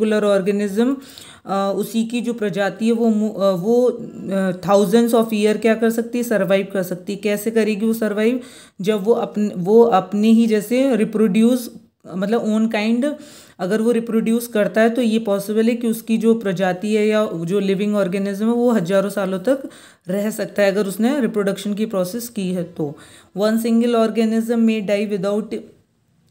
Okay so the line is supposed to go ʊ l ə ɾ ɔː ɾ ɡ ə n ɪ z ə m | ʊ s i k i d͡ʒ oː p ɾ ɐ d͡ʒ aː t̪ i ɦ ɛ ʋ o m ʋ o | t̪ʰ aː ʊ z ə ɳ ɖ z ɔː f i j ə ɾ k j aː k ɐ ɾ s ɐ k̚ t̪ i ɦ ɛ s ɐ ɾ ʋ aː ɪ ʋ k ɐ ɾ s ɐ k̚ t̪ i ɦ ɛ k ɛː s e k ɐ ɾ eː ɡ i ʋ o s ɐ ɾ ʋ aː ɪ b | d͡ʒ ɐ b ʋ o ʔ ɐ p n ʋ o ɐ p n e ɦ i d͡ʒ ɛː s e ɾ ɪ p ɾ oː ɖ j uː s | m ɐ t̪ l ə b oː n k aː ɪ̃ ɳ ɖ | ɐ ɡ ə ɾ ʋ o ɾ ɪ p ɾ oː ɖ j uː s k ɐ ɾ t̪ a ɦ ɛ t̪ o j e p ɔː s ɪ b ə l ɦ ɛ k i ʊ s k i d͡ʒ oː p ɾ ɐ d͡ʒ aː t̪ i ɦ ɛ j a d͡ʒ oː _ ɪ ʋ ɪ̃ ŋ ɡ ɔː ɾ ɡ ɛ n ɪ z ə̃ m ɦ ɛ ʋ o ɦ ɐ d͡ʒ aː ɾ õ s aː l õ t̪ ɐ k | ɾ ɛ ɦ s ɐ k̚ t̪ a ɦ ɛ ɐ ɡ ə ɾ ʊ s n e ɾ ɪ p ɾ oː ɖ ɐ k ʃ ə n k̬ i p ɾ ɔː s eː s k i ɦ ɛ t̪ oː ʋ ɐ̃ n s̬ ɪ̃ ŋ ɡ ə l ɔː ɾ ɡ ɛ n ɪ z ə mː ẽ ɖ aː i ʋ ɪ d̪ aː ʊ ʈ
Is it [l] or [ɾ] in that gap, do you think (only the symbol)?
l